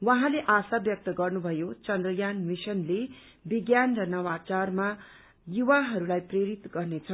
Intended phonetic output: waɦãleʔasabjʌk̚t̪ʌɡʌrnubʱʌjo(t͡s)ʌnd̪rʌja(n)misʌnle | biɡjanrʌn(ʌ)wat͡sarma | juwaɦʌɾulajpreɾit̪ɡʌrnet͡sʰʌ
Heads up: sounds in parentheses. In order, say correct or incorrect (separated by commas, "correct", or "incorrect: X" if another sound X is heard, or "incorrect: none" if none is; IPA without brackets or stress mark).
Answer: correct, correct, correct